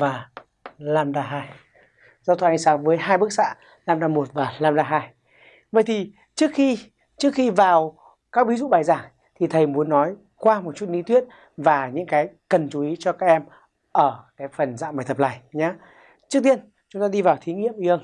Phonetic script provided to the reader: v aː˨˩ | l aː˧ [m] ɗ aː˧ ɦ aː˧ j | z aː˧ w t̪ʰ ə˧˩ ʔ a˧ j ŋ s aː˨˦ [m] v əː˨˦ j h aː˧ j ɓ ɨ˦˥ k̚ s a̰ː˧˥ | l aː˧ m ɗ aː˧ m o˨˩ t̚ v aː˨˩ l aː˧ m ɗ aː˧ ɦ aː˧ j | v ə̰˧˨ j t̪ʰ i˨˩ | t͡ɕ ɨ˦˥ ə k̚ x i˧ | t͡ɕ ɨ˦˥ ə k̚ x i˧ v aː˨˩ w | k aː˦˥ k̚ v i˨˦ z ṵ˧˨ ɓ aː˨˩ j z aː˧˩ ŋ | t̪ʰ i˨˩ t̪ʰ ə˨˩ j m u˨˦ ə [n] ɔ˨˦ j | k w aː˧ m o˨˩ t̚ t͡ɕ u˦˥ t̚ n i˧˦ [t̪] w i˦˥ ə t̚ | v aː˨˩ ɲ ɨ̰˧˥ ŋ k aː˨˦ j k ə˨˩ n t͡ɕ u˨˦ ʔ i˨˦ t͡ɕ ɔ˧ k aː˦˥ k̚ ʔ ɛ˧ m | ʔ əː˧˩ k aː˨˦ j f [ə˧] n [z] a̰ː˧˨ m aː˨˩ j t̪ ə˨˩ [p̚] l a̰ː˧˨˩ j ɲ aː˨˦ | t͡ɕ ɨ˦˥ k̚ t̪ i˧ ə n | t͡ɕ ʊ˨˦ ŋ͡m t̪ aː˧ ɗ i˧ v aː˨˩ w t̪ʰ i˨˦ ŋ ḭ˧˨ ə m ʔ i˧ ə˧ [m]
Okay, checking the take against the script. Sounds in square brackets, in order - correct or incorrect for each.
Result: correct, incorrect, incorrect, correct, incorrect, correct, correct, incorrect

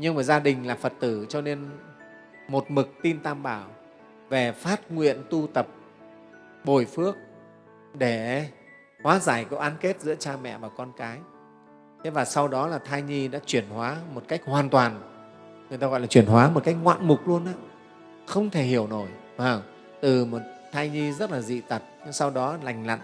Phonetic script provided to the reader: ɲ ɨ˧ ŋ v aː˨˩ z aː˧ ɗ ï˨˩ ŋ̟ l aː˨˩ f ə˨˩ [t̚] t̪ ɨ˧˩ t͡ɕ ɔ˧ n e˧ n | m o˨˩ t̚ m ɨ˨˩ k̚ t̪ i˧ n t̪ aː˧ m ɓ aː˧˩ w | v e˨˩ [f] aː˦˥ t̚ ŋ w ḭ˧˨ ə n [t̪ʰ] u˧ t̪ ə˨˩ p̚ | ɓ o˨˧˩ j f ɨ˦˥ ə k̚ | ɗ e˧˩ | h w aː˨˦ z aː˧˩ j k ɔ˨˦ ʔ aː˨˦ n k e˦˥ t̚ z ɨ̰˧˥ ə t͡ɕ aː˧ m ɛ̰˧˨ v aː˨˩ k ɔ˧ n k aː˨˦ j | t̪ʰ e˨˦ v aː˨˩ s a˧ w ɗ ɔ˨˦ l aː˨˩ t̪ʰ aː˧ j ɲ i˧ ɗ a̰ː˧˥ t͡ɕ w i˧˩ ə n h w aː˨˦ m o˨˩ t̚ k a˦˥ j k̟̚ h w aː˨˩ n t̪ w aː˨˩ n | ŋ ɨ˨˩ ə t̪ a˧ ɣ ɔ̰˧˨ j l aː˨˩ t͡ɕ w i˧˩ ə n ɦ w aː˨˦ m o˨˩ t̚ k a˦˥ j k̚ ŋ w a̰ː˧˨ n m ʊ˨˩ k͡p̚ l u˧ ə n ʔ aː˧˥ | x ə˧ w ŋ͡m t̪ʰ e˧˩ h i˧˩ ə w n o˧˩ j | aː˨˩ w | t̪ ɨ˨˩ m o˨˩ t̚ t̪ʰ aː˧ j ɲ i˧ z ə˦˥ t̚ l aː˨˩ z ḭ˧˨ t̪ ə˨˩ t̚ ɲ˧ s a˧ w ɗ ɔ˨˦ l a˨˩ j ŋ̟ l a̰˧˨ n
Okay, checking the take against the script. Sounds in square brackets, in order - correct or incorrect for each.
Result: correct, correct, incorrect

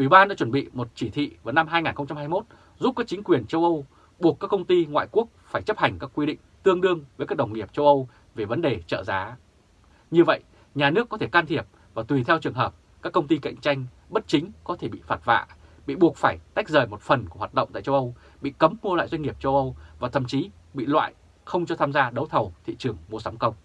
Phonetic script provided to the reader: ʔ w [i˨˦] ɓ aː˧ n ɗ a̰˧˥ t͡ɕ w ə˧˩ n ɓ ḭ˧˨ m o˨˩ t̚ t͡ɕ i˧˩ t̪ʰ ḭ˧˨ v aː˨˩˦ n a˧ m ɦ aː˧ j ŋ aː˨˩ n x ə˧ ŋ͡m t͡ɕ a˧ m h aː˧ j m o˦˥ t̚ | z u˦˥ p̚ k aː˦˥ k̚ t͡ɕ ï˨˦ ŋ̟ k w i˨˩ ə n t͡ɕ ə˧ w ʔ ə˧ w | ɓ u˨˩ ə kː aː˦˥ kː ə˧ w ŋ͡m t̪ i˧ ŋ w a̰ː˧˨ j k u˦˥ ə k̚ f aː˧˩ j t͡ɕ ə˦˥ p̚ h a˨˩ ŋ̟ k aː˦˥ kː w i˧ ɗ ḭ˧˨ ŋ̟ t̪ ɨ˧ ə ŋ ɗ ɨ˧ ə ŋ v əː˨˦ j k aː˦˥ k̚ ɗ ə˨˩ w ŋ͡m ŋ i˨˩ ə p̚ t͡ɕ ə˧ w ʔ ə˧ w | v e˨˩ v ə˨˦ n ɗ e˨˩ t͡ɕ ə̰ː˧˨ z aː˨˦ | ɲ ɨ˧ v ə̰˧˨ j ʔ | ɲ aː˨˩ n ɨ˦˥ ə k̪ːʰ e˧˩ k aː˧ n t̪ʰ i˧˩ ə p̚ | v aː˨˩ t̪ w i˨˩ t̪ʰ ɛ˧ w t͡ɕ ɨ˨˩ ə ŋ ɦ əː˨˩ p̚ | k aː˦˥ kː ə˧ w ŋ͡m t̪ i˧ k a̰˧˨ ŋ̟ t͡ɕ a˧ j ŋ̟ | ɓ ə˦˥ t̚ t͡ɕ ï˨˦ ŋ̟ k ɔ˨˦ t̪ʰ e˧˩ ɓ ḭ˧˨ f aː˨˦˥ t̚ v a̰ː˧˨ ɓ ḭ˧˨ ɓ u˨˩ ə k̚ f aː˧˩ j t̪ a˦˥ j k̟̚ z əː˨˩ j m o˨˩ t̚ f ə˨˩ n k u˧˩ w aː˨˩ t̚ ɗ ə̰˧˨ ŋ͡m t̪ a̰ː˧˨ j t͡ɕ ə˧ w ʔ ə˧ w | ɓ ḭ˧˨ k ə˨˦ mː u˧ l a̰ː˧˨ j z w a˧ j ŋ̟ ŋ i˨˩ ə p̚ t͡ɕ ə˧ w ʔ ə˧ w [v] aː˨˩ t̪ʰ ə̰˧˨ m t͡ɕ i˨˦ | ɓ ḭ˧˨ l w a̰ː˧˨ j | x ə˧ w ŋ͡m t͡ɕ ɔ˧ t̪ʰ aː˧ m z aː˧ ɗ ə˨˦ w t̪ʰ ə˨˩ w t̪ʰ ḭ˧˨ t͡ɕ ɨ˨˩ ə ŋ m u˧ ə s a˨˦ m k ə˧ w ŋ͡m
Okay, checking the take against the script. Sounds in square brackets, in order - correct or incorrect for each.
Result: incorrect, correct

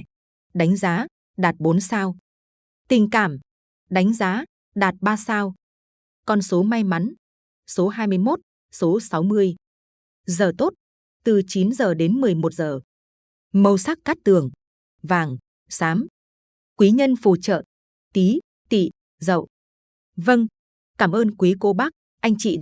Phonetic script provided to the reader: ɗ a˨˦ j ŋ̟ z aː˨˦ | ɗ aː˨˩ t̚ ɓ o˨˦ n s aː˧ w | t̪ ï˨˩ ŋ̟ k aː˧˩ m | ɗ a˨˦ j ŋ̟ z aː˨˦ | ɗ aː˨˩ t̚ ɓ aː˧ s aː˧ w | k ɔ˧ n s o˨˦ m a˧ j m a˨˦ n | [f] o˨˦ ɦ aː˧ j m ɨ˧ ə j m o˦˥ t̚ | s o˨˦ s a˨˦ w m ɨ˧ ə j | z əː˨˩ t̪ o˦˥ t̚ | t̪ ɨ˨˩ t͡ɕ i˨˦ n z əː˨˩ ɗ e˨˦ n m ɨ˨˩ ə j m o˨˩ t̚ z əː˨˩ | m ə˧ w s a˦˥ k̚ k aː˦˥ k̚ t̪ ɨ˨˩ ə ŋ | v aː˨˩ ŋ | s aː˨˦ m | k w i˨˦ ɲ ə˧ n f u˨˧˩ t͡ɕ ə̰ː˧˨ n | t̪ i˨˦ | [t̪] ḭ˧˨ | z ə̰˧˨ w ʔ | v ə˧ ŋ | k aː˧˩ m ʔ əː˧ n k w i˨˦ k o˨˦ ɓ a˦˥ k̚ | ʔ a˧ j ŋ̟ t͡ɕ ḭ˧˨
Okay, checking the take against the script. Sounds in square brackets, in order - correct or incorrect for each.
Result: incorrect, correct

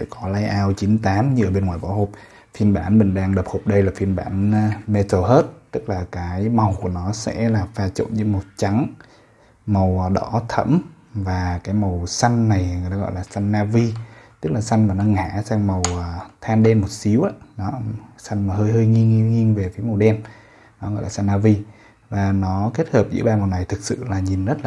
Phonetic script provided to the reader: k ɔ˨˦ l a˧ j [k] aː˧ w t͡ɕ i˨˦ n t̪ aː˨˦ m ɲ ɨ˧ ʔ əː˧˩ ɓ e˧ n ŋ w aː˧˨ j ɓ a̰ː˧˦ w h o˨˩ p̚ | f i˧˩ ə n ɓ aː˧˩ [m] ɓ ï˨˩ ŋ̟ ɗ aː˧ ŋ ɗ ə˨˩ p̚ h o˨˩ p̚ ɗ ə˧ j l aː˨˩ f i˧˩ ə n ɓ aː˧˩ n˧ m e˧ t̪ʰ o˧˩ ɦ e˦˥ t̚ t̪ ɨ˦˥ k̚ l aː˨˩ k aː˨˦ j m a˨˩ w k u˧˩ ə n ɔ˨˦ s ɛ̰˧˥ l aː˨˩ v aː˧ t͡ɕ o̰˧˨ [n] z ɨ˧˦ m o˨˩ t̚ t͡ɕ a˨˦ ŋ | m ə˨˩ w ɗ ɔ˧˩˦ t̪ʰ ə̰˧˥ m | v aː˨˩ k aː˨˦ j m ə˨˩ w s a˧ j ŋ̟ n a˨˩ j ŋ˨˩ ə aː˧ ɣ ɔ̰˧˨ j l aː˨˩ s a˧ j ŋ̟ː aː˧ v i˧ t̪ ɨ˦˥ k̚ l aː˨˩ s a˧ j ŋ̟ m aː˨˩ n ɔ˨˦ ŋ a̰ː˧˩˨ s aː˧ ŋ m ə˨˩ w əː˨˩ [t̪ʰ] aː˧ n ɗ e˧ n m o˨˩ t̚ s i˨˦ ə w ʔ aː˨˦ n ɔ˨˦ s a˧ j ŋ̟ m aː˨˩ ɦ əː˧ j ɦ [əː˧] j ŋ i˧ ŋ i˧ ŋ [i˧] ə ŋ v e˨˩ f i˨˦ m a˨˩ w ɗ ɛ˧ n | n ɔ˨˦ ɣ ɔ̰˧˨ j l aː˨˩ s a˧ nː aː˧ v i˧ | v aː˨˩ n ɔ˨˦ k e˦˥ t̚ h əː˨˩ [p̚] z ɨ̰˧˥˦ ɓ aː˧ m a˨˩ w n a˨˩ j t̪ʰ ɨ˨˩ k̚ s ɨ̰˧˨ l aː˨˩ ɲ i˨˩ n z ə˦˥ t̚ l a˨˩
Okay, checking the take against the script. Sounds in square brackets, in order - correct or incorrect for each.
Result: incorrect, incorrect, correct, correct, correct, correct, correct

